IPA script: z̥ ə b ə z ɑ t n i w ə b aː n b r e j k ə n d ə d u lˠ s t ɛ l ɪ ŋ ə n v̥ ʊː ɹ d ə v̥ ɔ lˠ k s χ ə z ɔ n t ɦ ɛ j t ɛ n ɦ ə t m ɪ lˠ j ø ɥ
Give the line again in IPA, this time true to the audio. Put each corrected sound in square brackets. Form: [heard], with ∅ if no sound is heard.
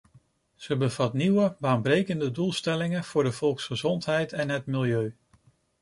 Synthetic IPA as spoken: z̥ ə b ə [v] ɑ t n i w ə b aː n b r e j k ə n d ə d u lˠ s t ɛ l ɪ ŋ ə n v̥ ʊː ɹ d ə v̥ ɔ lˠ k s χ ə z ɔ n t ɦ ɛ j t ɛ n ɦ ə t m ɪ lˠ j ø ɥ